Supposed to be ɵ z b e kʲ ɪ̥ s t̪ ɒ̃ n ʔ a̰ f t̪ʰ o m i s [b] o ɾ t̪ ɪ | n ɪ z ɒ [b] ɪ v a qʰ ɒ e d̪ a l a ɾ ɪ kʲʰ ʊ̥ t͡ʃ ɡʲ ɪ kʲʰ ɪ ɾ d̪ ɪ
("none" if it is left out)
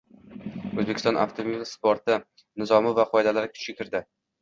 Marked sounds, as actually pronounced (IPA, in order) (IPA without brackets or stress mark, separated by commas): p, m